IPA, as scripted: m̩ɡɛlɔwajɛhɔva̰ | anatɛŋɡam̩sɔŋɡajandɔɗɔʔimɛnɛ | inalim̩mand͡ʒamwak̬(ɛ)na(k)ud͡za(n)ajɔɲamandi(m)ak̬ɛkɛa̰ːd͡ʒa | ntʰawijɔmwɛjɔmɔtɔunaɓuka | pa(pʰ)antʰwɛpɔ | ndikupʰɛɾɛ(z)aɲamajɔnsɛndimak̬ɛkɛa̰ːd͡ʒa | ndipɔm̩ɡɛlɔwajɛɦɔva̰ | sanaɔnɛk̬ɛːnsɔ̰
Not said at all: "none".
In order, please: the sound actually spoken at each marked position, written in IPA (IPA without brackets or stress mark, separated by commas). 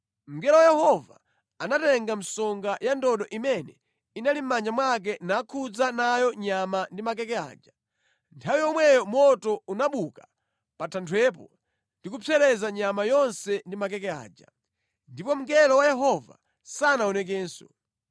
ɛ, kʰ, n, m, tʰ, z